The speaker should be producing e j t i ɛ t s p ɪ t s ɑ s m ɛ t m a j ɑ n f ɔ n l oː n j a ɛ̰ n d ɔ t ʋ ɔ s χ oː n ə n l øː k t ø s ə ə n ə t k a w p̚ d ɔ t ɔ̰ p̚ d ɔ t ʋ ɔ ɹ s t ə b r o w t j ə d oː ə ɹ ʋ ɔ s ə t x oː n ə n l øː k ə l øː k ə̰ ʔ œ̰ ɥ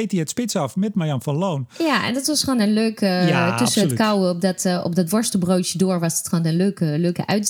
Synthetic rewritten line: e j t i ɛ t s p ɪ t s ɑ f m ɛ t m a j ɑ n f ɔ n l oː n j a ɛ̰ n d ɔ t ʋ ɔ s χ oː n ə n l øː k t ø s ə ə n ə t k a w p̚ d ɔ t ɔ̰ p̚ d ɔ t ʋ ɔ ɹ s t ə b r o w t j ə d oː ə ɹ ʋ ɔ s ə t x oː n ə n l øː k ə l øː k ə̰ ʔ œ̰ ɥ